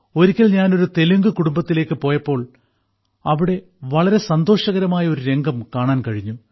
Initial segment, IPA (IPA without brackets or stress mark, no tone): o̞